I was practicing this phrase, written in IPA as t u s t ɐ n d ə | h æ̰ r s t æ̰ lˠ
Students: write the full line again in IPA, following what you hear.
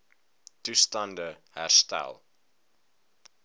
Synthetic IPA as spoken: t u s t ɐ n d ə | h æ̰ r s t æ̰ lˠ